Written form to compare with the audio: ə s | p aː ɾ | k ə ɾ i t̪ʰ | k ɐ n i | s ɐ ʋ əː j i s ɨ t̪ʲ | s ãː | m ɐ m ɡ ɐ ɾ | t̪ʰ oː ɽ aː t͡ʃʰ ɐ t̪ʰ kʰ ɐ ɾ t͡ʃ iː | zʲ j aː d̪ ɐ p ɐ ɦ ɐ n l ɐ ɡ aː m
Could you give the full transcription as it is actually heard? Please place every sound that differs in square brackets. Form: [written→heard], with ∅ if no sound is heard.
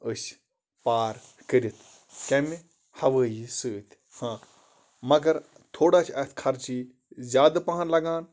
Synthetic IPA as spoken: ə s | p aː ɾ | k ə ɾ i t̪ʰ | k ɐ [n→m] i | [s→h] ɐ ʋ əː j i s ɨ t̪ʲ | [s→h] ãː | m ɐ [m→∅] ɡ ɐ ɾ | t̪ʰ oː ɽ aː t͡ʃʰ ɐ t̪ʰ kʰ ɐ ɾ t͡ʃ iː | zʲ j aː d̪ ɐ p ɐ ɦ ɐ n l ɐ ɡ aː [m→n]